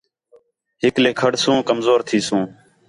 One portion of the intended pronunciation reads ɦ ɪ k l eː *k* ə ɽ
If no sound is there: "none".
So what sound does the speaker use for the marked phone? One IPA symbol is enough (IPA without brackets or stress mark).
kʰ